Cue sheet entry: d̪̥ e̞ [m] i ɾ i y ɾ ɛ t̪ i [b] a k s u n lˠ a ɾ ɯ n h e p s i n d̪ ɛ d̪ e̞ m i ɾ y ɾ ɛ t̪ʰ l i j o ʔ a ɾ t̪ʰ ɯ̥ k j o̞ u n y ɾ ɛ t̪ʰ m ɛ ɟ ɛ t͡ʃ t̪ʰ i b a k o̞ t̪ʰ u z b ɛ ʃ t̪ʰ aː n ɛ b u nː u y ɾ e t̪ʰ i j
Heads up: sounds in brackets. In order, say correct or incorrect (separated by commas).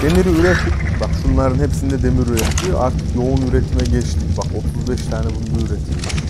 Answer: correct, correct